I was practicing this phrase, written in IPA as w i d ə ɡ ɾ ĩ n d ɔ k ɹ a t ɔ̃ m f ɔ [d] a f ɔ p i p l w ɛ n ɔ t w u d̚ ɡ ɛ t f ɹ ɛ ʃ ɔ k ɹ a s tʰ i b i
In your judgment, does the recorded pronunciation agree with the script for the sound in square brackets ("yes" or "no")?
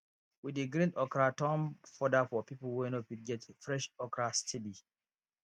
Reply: yes